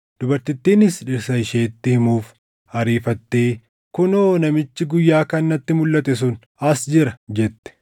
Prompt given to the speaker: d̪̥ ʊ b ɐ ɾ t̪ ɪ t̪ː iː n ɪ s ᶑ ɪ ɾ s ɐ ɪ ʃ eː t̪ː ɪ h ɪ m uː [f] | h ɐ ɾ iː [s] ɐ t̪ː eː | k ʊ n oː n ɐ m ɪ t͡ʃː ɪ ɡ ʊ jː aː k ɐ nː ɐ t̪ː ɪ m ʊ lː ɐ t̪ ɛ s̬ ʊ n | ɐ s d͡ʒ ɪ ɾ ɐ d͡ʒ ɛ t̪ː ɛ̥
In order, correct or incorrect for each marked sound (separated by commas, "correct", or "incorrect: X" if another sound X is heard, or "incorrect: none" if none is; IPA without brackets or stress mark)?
correct, incorrect: f